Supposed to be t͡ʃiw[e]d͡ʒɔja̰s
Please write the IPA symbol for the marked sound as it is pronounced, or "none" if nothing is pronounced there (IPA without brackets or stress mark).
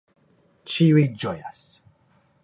i